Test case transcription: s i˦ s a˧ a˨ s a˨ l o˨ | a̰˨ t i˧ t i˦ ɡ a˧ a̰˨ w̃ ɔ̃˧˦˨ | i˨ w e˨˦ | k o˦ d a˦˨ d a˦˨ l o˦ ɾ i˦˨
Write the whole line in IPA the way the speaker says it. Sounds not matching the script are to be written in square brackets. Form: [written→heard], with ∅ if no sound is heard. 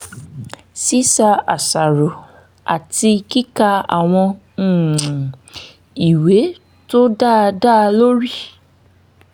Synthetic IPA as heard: s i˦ s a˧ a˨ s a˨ [l→ɾ] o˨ | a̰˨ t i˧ [t→k] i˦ [ɡ→k] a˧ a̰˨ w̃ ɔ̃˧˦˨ | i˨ w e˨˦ | [k→t] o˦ d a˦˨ d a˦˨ l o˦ ɾ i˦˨

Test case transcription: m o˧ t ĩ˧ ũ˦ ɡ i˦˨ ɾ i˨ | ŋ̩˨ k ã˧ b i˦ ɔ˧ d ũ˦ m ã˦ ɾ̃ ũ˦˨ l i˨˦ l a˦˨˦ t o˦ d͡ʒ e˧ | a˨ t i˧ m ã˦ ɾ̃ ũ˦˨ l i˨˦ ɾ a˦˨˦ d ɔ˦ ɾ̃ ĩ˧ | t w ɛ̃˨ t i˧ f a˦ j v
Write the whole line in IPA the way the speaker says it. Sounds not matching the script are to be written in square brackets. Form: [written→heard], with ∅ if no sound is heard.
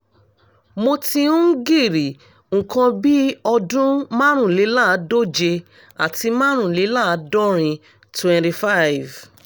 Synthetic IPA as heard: m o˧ t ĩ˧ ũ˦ ɡ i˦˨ ɾ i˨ | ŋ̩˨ k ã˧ b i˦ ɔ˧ d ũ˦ m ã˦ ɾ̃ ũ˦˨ l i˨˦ l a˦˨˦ [t→d] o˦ d͡ʒ e˧ | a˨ t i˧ m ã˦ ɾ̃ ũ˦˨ l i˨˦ [ɾ→l] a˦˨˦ d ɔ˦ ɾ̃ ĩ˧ | t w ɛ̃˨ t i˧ f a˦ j v

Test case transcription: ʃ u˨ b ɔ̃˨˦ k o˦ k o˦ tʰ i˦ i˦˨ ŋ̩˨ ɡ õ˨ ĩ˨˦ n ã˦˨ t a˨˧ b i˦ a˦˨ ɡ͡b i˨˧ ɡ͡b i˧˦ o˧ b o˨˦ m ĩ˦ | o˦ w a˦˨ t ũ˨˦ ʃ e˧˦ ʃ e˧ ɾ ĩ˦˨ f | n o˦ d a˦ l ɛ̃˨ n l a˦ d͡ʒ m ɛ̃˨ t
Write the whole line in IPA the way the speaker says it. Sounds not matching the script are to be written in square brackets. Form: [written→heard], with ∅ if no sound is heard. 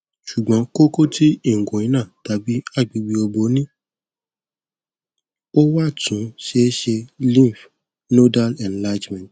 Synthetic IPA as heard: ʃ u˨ [b→ɡ͡b] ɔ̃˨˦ k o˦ k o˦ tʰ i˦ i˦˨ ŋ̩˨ ɡ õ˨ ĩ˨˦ n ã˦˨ t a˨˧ b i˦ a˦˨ ɡ͡b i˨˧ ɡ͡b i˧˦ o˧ b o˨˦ [m→n] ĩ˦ | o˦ w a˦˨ t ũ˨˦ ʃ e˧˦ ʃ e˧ [ɾ→l] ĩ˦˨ f | n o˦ d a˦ l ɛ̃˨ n l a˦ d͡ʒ m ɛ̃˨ t

